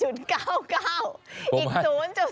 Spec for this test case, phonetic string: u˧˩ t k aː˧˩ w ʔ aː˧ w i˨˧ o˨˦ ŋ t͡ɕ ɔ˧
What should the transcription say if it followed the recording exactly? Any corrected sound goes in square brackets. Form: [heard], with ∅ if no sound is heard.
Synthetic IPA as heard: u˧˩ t k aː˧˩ w [k] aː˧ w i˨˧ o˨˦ [n] t͡ɕ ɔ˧